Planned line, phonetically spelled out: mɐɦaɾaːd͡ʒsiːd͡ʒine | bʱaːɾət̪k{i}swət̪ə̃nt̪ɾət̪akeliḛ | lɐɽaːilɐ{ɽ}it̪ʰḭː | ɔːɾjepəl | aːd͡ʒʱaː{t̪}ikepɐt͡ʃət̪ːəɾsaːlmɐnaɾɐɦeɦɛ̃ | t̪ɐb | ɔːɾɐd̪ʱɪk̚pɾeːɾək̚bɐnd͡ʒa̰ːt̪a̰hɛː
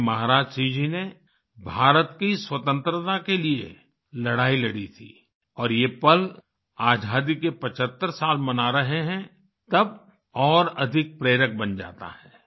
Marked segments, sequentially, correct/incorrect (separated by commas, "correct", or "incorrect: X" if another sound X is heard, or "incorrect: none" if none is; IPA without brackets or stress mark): correct, correct, incorrect: d̪